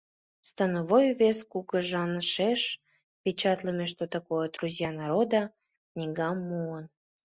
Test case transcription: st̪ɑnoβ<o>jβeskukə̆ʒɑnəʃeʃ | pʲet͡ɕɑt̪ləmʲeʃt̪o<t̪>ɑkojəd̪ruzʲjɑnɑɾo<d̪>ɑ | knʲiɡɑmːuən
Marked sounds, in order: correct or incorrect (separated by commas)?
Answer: correct, correct, correct